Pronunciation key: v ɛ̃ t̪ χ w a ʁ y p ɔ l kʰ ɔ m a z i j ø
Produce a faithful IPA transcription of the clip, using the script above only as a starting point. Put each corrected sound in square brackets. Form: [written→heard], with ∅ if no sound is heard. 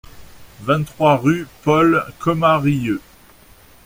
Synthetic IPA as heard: v ɛ̃ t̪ χ w a ʁ y p ɔ l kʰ ɔ m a [z→ʁ] i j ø